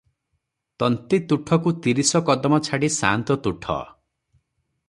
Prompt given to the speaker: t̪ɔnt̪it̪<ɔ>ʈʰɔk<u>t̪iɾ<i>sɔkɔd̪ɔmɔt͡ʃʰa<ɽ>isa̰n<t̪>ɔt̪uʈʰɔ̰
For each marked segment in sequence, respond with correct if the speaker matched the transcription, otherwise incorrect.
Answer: incorrect: u, correct, correct, correct, correct

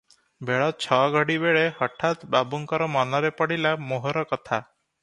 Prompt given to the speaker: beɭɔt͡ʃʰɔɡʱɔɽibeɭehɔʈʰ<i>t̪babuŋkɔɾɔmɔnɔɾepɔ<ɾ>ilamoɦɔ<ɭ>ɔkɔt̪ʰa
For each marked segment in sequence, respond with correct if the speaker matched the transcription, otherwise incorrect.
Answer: incorrect: a, incorrect: ɽ, incorrect: ɾ

